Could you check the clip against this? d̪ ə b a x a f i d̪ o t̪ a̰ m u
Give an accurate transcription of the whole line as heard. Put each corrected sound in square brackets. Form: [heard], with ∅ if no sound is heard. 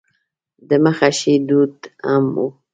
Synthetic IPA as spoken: d̪ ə [m] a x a [ʃ] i d̪ [u] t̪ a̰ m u